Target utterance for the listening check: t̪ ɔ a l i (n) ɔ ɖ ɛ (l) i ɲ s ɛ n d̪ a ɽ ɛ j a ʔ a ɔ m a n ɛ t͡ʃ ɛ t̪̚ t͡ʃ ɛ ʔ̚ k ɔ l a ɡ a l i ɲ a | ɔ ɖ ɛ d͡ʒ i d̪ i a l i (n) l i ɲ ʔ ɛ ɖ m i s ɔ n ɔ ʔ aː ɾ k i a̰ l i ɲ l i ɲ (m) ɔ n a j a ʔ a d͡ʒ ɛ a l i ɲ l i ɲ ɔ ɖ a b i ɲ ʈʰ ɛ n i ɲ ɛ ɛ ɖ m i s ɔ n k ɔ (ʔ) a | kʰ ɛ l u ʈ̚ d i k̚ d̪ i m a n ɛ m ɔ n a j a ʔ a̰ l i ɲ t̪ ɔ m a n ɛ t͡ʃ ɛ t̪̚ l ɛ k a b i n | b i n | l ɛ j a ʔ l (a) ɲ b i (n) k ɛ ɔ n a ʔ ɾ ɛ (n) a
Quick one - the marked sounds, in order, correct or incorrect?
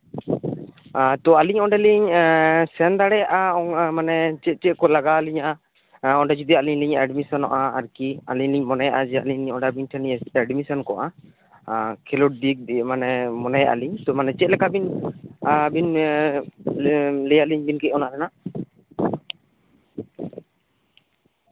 incorrect, correct, incorrect, correct, correct, incorrect, correct, correct

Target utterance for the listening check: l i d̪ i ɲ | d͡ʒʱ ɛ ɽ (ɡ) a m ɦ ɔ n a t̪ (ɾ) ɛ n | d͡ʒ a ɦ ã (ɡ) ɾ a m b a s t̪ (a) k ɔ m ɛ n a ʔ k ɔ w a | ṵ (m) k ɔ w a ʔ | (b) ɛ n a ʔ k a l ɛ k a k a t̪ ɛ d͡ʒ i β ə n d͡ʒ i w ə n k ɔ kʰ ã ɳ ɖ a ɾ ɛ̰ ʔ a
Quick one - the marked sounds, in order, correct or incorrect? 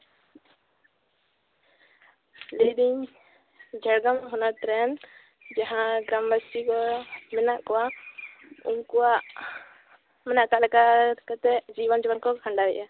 correct, correct, correct, incorrect, correct, incorrect

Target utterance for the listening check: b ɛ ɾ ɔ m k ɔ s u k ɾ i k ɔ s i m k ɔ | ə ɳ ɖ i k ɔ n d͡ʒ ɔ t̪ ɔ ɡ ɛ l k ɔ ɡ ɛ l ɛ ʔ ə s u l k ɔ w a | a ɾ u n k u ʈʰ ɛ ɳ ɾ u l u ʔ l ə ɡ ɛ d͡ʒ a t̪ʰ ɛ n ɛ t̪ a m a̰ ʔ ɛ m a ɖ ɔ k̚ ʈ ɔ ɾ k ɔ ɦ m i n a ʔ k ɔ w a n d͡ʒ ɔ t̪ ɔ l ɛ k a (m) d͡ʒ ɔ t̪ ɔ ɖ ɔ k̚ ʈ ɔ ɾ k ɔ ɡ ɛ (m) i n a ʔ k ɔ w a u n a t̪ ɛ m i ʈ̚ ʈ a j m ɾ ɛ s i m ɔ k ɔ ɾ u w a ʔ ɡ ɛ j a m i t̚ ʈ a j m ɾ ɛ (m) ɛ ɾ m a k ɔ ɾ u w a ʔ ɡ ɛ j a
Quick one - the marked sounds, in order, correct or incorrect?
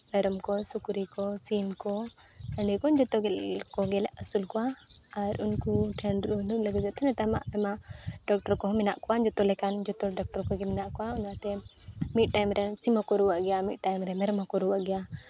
incorrect, correct, correct

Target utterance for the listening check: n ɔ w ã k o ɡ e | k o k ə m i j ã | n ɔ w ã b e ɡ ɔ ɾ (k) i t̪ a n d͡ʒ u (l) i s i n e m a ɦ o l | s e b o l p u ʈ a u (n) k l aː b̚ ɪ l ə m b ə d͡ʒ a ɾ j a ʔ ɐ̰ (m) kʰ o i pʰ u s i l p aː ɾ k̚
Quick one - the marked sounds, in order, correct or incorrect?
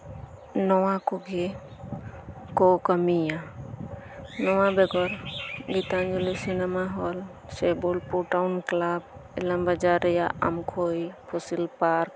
incorrect, correct, correct, correct

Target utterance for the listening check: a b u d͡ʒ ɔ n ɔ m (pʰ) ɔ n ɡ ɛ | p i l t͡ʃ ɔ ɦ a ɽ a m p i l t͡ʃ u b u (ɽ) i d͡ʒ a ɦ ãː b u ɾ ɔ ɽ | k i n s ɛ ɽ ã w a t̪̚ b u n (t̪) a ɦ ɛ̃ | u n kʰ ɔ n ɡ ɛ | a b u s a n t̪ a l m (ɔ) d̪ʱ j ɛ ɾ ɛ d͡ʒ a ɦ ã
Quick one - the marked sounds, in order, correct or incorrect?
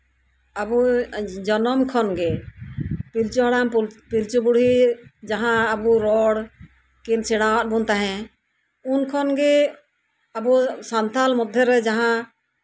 incorrect, correct, correct, correct

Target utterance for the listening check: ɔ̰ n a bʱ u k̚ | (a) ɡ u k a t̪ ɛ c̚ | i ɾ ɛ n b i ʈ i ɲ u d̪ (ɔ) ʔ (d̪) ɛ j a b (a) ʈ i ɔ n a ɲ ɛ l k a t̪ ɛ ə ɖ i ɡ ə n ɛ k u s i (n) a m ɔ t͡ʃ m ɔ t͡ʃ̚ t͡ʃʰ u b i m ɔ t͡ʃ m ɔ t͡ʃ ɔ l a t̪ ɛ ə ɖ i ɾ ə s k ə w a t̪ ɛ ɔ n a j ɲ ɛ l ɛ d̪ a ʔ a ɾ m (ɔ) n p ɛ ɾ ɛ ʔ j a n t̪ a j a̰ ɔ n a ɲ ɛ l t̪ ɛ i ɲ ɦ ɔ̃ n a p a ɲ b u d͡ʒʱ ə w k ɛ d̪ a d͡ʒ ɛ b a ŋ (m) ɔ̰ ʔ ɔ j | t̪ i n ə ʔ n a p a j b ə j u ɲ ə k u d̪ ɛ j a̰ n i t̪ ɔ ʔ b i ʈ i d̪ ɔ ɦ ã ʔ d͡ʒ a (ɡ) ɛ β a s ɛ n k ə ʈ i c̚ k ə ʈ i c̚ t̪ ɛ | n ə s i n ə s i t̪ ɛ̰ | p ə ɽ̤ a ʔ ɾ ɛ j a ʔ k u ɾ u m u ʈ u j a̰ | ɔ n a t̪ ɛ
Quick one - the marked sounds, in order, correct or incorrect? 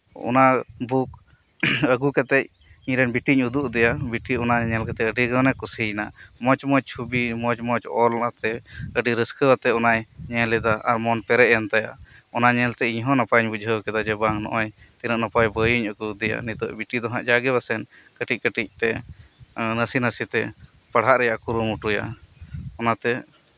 incorrect, incorrect, correct, incorrect, correct, correct, incorrect, correct

